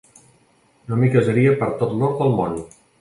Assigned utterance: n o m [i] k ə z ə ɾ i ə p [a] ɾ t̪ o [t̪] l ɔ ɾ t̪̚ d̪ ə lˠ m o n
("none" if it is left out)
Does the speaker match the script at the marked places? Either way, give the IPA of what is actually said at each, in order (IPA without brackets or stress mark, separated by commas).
i, ə, t̪